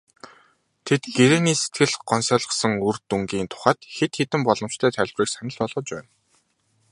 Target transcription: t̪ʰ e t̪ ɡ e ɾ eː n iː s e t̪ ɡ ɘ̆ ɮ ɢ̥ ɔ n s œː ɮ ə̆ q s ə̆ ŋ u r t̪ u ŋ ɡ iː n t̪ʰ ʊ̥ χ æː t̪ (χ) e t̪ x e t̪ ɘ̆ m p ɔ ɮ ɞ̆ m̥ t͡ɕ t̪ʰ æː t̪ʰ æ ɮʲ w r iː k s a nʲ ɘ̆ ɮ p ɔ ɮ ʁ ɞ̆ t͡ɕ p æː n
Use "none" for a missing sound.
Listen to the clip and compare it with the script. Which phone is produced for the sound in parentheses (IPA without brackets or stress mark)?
x